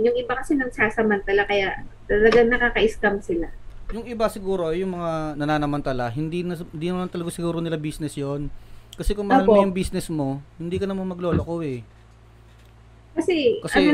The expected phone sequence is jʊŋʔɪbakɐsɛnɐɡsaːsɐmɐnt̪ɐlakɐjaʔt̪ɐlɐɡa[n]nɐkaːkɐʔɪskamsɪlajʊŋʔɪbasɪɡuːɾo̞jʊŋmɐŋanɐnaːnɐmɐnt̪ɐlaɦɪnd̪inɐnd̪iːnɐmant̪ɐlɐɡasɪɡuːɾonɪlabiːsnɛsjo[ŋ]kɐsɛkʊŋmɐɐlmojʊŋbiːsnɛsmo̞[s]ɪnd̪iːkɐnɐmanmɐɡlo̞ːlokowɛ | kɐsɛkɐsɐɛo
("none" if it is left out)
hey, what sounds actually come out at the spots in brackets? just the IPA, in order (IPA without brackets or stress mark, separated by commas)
ŋ, n, h